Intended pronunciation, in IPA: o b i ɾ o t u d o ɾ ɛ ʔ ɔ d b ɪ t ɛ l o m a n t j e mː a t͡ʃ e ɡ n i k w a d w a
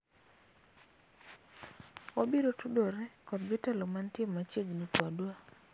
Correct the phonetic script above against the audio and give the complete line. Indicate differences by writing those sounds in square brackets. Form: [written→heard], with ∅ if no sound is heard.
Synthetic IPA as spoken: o b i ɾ o t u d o ɾ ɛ [ʔ→k] ɔ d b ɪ t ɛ l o m a n t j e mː a t͡ʃ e ɡ n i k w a d w a

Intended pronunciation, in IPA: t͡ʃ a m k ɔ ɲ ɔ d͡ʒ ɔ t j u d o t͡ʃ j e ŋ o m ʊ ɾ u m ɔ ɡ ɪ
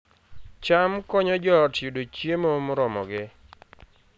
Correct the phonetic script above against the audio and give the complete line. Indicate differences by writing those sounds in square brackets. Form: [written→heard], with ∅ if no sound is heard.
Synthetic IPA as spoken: t͡ʃ a m k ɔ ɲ ɔ d͡ʒ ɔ t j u d o t͡ʃ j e [ŋ→m] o m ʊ ɾ [u→ɔ] m ɔ ɡ ɪ

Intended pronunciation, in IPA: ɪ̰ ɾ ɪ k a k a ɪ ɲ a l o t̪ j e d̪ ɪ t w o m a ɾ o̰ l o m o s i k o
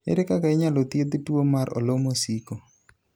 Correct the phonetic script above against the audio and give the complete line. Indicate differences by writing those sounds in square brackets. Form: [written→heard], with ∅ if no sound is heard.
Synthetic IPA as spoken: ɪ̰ ɾ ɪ k a k a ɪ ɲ a l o t̪ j e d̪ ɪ t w o m a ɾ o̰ l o m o s i k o

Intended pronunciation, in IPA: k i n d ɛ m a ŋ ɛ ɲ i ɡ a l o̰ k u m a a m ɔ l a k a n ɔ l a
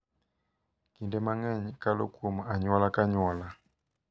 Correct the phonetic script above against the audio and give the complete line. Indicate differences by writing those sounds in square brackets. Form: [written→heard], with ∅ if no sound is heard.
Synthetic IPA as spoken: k i n d ɛ m a ŋ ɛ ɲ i [ɡ→k] a l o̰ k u m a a [m→ɲ] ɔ l a k a [n→ɲ] ɔ l a

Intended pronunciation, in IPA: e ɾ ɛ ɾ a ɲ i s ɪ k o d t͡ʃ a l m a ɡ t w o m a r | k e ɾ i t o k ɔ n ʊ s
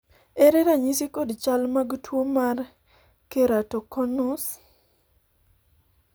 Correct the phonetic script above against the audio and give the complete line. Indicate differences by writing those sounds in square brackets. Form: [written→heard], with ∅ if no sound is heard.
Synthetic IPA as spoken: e ɾ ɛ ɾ a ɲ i s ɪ k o d t͡ʃ a l m a ɡ t w o m a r | k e ɾ [i→a] t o k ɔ n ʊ s

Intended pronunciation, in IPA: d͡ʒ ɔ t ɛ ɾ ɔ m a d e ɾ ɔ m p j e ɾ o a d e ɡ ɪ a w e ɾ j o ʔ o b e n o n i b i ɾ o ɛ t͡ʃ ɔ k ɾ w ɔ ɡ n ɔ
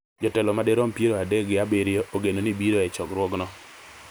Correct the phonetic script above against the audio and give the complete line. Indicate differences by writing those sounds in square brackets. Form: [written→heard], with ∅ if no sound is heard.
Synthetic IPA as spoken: d͡ʒ ɔ t ɛ [ɾ→l] ɔ m a d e ɾ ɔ m p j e ɾ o a d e ɡ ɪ a [w→b] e ɾ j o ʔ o [b→ɡ] e n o n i b i ɾ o ɛ t͡ʃ ɔ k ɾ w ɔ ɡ n ɔ

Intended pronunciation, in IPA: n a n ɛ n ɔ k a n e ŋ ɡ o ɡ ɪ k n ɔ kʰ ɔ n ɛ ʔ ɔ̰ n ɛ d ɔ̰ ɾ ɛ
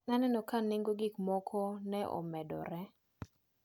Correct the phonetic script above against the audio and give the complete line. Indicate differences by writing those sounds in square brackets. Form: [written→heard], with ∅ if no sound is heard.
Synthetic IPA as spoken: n a n ɛ n ɔ k a n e ŋ ɡ o ɡ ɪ k [n→m] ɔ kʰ ɔ n ɛ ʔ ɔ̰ [n→m] ɛ d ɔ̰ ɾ ɛ

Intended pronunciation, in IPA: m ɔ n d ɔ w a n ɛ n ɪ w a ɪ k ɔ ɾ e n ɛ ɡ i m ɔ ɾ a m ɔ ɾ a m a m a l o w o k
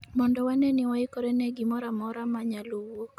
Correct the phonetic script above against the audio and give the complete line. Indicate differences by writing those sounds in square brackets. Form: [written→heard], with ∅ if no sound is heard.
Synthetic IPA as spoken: m ɔ n d ɔ w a n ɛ n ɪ w a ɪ k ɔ ɾ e n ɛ ɡ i m ɔ ɾ a m ɔ ɾ a m a [m→ɲ] a l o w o k

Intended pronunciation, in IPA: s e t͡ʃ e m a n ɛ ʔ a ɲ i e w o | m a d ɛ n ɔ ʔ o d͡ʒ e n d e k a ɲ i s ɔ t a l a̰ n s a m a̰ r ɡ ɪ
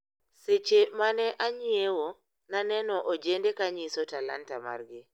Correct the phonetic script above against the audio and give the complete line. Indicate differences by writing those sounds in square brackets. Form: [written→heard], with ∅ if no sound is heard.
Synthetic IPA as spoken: s e t͡ʃ e m a n ɛ ʔ a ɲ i e w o | [m→n] a [d→n] ɛ n ɔ ʔ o d͡ʒ e n d e k a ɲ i s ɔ t a l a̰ n [s→t] a m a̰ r ɡ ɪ

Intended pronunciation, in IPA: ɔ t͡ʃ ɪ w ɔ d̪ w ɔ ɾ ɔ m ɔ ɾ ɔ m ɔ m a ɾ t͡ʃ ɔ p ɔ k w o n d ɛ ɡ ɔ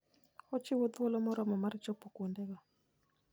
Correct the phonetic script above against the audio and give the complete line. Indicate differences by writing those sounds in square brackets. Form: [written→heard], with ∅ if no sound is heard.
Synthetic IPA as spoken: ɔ t͡ʃ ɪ w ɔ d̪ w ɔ [ɾ→l] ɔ m ɔ ɾ ɔ m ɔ m a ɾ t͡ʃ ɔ p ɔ k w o n d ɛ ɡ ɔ

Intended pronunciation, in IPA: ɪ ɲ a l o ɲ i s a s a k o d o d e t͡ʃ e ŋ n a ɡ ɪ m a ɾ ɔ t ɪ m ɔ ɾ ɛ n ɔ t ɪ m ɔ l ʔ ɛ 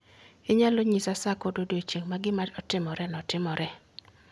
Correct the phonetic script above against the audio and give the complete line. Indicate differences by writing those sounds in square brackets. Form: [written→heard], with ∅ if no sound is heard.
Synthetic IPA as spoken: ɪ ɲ a l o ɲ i s a s a k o d o d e t͡ʃ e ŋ [n→m] a ɡ ɪ m a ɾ ɔ t ɪ m ɔ ɾ ɛ n ɔ t ɪ m ɔ [l→ɾ] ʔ ɛ

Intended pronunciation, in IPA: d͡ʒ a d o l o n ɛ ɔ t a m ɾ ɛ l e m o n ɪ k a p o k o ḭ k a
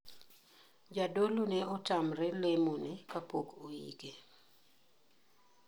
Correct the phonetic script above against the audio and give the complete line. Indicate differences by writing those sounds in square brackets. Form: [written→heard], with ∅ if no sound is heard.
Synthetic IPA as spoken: d͡ʒ a d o l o n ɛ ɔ t a m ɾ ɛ l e m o n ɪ k a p o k o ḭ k [a→e]

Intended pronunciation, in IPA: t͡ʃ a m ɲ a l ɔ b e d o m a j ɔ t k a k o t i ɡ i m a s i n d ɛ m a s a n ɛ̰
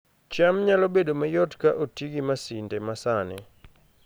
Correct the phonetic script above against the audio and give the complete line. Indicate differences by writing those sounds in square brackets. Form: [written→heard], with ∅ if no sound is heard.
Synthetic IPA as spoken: t͡ʃ a m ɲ a l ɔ b e d o m a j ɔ t k a [k→ʔ] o t i ɡ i m a s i n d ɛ m a s a n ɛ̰

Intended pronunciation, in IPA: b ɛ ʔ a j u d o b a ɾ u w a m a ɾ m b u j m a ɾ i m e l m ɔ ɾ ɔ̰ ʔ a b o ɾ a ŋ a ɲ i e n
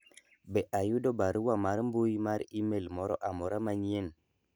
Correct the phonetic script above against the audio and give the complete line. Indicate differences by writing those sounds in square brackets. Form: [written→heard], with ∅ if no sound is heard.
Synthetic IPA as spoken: b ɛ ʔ a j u d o b a ɾ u w a m a ɾ m b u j m a ɾ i m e l m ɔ ɾ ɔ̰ ʔ a [b→m] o ɾ a [ŋ→m] a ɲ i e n

